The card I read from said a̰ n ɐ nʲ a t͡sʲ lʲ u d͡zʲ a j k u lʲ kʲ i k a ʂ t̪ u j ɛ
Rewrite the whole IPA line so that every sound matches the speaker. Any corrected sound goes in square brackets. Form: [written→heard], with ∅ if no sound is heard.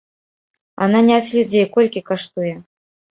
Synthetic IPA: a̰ n [ɐ→a] nʲ a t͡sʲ lʲ u d͡zʲ [a→e] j k [u→ɔ] lʲ kʲ i k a ʂ t̪ u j ɛ